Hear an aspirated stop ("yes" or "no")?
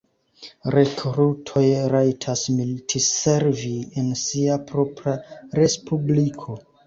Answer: yes